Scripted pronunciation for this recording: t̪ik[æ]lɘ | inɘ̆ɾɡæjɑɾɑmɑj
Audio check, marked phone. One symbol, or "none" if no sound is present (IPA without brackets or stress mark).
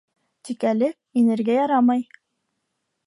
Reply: æ